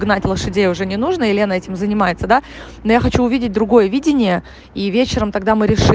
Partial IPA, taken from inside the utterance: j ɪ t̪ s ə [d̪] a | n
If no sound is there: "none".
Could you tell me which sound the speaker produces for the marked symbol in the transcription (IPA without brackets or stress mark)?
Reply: d̪